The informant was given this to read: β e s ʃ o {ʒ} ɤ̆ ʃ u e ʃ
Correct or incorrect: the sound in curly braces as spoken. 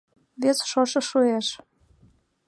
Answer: incorrect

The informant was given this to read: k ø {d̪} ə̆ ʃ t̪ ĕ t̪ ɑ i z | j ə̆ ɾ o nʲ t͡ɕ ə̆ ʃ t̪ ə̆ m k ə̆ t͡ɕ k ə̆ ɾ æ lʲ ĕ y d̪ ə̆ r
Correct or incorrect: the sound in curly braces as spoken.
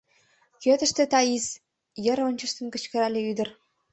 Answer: incorrect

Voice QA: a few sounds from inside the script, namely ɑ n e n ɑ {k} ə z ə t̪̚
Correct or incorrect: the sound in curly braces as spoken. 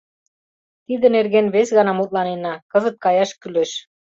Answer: correct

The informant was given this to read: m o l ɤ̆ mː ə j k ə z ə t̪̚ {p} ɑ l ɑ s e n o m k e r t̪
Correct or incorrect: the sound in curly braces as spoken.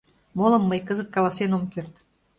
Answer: incorrect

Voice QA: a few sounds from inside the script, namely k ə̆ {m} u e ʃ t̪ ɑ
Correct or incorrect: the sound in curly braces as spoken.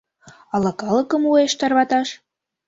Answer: correct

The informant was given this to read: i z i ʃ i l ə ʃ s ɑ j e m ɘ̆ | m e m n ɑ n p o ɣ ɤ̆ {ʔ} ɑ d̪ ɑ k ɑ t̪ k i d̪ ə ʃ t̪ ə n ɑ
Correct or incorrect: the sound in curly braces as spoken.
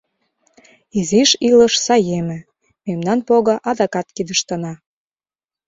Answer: correct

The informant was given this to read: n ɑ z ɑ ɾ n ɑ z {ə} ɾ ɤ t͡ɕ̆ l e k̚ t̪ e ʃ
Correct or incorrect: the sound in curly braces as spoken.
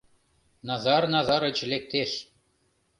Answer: incorrect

